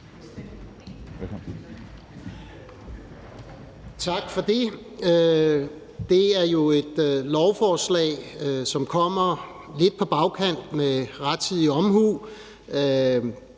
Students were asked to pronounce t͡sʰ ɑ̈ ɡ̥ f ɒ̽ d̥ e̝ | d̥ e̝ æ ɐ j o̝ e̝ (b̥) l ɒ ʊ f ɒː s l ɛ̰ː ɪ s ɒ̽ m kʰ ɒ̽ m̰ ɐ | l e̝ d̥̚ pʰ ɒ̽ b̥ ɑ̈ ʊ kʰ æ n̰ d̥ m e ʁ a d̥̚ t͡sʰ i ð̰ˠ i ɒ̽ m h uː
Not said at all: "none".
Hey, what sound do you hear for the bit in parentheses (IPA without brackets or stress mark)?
d̥